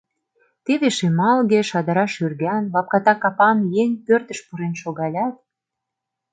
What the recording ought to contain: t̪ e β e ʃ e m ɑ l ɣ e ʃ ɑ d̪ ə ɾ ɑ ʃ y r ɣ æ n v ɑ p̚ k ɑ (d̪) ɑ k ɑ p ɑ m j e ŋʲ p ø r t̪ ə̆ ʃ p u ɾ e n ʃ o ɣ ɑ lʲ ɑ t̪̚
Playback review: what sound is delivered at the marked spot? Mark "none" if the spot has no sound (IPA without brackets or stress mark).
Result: t̪